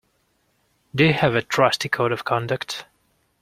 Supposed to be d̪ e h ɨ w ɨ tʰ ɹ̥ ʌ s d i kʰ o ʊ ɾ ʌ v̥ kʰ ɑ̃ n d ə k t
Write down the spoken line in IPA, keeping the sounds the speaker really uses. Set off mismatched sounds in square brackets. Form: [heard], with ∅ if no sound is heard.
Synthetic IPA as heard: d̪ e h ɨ [v] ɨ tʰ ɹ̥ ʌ s [t] i kʰ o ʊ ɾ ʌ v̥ kʰ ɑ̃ n d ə k t